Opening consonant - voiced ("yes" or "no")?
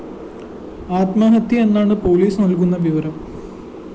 no